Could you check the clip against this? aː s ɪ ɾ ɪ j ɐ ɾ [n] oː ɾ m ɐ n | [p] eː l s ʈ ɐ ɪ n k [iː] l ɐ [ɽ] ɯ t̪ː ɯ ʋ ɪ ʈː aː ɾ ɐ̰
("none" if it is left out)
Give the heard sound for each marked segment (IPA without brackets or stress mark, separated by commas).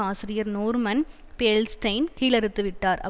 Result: n, p, iː, ɾ